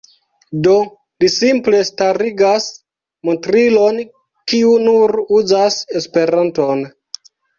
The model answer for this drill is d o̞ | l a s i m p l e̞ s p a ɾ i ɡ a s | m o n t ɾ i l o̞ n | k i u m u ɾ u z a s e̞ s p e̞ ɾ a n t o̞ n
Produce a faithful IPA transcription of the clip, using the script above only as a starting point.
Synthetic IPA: d o̞ | l i s i m p l e̞ s t a ɾ i ɡ a s | m o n t ɾ i l o̞ n | k i u n u ɾ u z a s e̞ s p e̞ ɾ a n t o̞ n